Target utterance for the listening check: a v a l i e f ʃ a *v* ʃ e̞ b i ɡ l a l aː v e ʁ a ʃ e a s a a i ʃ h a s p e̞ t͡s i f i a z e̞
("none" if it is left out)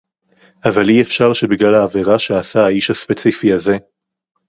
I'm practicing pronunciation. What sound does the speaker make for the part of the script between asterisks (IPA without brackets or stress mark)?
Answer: ʁ